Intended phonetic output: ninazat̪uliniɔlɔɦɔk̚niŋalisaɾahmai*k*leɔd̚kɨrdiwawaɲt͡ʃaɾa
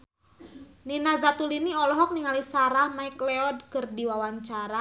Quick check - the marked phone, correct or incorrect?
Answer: correct